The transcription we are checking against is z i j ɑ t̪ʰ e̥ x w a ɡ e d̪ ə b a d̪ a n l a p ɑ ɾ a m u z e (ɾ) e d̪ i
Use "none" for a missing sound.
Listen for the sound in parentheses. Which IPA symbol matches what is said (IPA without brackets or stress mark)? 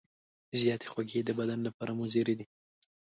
ɾ